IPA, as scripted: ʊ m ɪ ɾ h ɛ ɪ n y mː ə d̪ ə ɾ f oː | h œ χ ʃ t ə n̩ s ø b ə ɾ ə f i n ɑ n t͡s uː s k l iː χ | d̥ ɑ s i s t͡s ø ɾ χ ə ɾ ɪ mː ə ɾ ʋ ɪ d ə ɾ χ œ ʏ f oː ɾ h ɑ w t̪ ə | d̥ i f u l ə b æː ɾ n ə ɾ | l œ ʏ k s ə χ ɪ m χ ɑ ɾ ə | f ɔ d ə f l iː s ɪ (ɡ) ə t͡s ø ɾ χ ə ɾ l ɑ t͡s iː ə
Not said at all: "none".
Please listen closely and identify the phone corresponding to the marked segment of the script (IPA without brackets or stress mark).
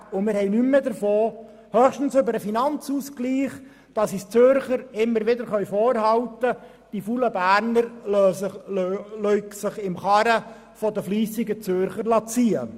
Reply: ɡ